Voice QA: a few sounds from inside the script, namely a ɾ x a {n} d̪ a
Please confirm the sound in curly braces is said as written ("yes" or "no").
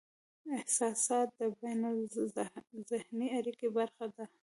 no